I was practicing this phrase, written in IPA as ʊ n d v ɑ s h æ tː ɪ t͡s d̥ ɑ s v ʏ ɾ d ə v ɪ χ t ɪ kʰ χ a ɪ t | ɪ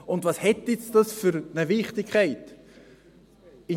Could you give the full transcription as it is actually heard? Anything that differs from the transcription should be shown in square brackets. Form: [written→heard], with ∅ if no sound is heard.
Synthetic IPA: ʊ n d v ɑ s h [æ→ɛ] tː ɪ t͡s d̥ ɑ s [v→f] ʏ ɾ [d→n] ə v ɪ χ t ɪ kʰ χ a ɪ t | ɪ